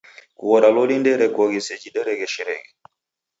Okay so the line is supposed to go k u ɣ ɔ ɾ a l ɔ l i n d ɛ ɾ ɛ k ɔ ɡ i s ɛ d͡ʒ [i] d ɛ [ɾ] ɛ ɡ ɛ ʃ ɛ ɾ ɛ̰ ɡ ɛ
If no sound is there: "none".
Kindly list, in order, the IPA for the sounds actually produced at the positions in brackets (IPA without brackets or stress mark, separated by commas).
i, ɾ